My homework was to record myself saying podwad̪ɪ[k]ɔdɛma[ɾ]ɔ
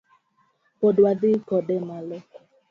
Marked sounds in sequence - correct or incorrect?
correct, incorrect: l

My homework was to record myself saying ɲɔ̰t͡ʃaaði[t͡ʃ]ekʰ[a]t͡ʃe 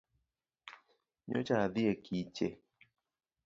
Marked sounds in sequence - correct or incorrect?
incorrect: none, incorrect: i

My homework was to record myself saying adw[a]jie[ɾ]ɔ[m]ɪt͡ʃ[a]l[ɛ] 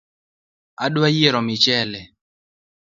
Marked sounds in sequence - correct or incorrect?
correct, correct, correct, incorrect: ɛ, correct

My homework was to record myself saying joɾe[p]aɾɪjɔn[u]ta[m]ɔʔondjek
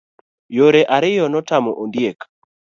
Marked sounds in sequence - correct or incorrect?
incorrect: ʔ, incorrect: ɔ, correct

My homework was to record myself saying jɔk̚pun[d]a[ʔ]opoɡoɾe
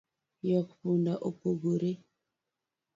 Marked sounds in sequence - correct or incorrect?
correct, correct

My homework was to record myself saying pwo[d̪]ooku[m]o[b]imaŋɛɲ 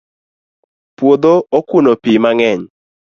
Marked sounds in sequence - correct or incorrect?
correct, incorrect: n, incorrect: p

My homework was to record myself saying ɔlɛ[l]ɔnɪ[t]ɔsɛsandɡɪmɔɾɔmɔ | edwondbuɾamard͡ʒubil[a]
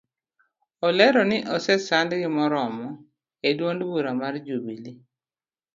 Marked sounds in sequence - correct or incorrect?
incorrect: ɾ, incorrect: ʔ, incorrect: i

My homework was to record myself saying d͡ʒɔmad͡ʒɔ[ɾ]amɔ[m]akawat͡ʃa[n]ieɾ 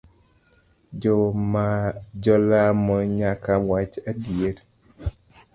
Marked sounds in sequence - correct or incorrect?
incorrect: l, incorrect: ɲ, incorrect: d

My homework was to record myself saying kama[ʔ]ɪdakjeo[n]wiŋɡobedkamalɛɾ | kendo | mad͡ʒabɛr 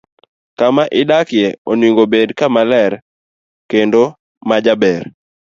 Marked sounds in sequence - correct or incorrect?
correct, correct

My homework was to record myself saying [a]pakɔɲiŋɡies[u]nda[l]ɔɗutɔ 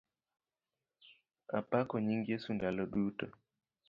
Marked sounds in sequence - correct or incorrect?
correct, correct, correct

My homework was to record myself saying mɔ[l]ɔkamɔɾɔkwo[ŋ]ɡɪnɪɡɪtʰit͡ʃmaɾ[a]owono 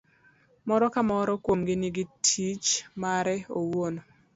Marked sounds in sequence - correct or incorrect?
incorrect: ɾ, incorrect: m, incorrect: ɛ

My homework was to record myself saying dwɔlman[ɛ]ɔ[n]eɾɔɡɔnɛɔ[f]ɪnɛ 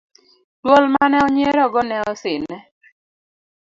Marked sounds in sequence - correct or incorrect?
correct, incorrect: ɲ, incorrect: s

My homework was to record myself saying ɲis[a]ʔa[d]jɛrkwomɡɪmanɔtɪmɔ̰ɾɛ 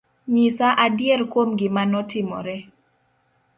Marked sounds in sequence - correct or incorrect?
correct, correct

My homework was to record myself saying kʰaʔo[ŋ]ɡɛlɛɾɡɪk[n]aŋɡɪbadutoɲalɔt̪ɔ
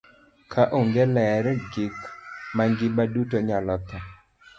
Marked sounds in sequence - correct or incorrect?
correct, incorrect: m

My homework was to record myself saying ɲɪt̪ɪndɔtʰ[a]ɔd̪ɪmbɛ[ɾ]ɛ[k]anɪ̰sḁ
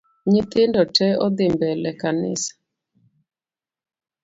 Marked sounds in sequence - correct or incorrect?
incorrect: ɛ, incorrect: l, correct

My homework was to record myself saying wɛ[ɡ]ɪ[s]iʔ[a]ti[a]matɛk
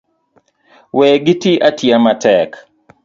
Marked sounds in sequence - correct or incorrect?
correct, incorrect: t, correct, correct

